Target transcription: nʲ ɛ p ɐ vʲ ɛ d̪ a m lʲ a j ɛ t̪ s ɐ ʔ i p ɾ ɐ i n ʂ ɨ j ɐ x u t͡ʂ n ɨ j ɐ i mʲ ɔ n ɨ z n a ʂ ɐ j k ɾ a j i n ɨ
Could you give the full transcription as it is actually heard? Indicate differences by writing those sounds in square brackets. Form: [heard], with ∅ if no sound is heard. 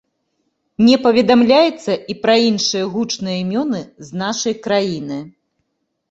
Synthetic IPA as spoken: nʲ ɛ p ɐ vʲ ɛ d̪ a m lʲ a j ɛ t̪ [sː] ɐ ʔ i p ɾ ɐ i n ʂ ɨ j ɐ [ɣ] u t͡ʂ n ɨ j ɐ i mʲ ɔ n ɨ z n a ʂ ɐ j k ɾ a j i n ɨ